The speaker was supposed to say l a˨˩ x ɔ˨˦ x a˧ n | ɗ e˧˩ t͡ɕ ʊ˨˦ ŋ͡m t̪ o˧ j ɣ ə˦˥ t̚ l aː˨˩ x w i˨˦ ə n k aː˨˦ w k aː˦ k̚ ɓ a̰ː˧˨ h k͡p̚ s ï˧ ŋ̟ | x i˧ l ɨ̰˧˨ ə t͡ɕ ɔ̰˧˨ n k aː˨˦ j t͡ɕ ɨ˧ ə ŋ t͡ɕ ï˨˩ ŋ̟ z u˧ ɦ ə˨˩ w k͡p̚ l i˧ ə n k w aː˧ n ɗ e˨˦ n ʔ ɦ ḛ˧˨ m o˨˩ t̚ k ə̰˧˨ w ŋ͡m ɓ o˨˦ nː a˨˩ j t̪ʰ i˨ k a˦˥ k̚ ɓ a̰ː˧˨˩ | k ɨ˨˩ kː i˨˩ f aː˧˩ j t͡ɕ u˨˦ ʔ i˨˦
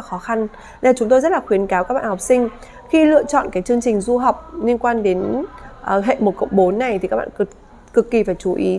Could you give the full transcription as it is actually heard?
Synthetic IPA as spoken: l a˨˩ x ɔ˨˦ x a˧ n | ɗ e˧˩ t͡ɕ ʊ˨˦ ŋ͡m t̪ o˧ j z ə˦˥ t̚ l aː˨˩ x w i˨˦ ə n k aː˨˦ w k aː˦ k̚ ɓ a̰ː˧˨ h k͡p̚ s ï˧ ŋ̟ | x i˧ l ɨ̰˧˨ ə t͡ɕ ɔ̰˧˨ n k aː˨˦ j t͡ɕ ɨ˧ ə ŋ t͡ɕ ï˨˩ ŋ̟ z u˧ ɦ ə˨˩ w k͡p̚ l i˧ ə n k w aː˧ n ɗ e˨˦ n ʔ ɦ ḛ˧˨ m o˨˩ t̚ k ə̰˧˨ w ŋ͡m ɓ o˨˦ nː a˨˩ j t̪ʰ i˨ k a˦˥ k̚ ɓ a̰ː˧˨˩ | k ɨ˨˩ kː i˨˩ f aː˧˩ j t͡ɕ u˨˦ ʔ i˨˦